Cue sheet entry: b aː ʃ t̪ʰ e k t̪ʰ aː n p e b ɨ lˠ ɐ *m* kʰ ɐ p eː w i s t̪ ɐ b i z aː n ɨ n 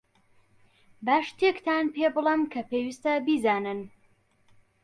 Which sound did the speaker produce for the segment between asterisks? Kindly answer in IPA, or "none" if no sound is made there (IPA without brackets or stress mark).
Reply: m